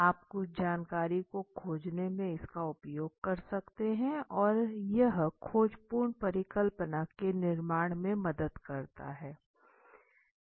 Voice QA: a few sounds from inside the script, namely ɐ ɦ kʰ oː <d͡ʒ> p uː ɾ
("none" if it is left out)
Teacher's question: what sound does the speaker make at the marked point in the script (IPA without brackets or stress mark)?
d͡ʒ